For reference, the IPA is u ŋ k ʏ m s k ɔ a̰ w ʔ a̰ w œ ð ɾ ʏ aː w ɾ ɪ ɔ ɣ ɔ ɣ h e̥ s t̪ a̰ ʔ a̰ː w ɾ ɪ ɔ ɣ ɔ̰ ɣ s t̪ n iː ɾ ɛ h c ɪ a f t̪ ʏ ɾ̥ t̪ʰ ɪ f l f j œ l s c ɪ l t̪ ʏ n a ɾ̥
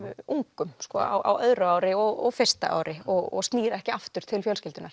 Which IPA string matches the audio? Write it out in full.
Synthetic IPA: u ŋ k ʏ m s k ɔ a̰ w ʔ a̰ w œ ð ɾ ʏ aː w ɾ ɪ ɔ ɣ ɔ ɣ f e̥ s t̪ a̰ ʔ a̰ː w ɾ ɪ ɔ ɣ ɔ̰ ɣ s t̪ n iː ɾ ɛ h c ɪ a f t̪ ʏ ɾ̥ t̪ʰ ɪ l f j œ l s c ɪ l t̪ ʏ n a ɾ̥

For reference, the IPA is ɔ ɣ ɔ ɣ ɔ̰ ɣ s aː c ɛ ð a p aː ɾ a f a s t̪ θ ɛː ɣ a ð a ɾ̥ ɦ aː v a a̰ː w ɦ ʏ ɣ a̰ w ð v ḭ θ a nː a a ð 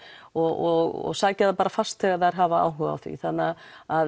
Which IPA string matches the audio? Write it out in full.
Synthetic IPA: ɔ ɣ ɔ ɣ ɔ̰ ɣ s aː c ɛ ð a p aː ɾ a f a s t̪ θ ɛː ɣ a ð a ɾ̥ ɦ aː v a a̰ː w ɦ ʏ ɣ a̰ w θ v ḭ θ a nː a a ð

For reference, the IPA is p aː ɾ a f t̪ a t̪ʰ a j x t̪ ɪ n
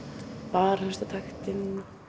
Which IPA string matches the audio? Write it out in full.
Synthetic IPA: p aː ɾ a s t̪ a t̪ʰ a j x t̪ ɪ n

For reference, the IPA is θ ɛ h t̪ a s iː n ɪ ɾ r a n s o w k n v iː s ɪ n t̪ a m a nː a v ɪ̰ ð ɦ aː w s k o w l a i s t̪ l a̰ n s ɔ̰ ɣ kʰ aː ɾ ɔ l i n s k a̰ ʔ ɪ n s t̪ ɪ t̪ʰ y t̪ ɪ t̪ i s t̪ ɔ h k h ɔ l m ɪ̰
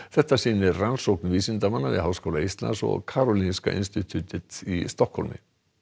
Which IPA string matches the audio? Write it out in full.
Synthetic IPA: θ ɛ h t̪ a s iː n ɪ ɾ r a n s o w k n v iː s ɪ n t̪ a m a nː a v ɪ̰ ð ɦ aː w s k o w l a i s t̪ l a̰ n s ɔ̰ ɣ kʰ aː ɾ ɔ l i n s k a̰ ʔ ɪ n s t̪ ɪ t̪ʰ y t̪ ɪ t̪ i s t̪ ɔ h k h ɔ l m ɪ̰

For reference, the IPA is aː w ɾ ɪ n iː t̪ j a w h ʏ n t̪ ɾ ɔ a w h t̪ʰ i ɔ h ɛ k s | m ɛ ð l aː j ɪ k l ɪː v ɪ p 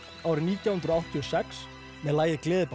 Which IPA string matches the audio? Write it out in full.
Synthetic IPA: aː w ɾ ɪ n iː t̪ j a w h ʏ n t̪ ɾ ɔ a w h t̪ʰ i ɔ s ɛ k s | m ɛ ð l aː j ɪ k l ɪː ð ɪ p

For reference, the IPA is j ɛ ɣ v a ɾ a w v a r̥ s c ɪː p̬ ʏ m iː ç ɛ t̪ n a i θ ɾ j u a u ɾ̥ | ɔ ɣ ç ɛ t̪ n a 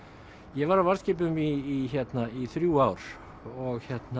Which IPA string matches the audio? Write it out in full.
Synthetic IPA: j ɛ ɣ v a ɾ a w v a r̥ s c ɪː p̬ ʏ m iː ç ɛ t̪ n a i θ ɾ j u a w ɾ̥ | ɔ ɣ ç ɛ t̪ n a

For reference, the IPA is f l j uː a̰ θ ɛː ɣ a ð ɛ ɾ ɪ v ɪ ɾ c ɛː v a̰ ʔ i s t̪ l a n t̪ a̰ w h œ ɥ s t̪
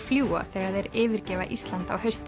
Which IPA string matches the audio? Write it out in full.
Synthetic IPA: f l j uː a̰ θ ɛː ɣ a ð ɛ ɾ ɪː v ɪ ɾ c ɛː v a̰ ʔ i s t̪ l a n t̪ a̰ w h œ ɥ s t̪

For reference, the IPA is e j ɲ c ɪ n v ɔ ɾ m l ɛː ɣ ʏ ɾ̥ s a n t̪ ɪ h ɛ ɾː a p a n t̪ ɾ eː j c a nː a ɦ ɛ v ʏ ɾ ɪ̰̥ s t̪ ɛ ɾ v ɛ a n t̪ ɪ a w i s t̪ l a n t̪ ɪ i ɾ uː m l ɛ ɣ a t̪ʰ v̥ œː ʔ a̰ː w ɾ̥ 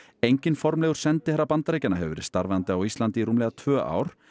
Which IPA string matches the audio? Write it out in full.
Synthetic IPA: e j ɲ c ɪ n f ɔ ɾ m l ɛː ɣ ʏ ɾ̥ s ɛ n t̪ ɪ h ɛ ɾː a p a n t̪ ɾ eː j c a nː a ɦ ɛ v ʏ ɾ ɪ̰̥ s t̪ a ɾ v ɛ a n t̪ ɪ a w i s t̪ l a n t̪ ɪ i ɾ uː m l ɛ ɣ a t̪ʰ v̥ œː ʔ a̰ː w ɾ̥

